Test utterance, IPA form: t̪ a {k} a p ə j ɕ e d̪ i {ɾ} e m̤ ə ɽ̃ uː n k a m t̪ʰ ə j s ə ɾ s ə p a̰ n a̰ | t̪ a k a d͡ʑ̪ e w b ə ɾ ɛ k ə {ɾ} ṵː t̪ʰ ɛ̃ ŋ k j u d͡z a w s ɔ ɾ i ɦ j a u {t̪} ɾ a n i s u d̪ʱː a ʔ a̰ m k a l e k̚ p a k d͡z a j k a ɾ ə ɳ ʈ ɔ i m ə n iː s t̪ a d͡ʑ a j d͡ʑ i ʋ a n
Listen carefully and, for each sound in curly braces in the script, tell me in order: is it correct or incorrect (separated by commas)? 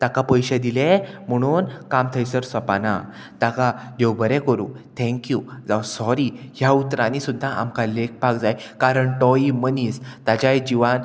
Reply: correct, incorrect, correct, correct